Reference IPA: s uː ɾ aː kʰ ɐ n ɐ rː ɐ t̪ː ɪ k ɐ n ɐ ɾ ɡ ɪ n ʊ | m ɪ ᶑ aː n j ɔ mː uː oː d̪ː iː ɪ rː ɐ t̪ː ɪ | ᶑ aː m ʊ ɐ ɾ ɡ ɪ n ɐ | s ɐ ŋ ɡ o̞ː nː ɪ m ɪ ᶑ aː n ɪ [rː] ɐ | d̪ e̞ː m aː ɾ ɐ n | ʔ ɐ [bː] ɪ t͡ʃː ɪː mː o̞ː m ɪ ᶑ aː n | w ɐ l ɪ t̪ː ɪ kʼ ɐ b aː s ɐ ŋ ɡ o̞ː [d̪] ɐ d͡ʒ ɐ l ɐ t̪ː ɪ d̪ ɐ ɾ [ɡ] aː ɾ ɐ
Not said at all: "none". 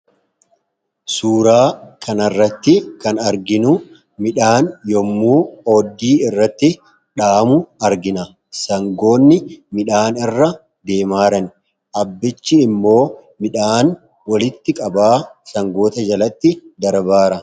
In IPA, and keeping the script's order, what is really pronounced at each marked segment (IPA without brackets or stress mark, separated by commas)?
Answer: rː, bː, t̪, b